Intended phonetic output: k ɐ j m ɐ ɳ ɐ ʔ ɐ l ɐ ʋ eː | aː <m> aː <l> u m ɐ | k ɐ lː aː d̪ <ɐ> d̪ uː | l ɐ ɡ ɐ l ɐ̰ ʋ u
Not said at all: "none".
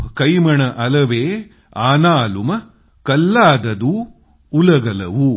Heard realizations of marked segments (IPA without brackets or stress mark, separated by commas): n, l, ɐ